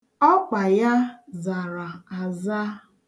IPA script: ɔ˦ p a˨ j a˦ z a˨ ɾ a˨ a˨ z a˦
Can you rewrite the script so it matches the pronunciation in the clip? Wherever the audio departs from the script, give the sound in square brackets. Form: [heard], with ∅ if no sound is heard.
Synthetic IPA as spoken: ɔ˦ [k͡p] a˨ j a˦ z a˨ ɾ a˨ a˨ z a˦